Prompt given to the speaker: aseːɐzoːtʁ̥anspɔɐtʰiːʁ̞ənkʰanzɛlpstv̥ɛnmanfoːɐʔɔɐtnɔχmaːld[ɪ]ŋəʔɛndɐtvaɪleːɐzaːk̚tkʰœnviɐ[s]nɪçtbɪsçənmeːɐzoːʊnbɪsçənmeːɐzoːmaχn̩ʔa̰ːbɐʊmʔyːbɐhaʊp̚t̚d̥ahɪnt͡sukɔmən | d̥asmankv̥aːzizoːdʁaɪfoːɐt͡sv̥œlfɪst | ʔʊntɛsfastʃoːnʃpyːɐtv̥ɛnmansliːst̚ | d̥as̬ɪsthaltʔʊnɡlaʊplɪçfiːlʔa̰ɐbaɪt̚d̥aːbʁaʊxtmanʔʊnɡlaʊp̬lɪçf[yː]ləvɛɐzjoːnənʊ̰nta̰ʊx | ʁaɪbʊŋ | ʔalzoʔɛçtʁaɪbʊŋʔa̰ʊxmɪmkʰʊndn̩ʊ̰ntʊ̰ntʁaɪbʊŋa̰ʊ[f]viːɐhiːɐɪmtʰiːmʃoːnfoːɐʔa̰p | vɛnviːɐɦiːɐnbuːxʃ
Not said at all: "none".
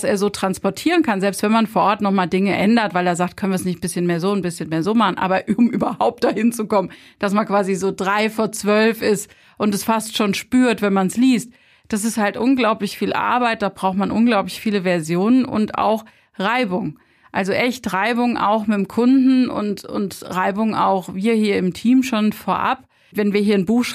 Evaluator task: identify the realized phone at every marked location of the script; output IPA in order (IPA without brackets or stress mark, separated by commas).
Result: ɪ, s, iː, x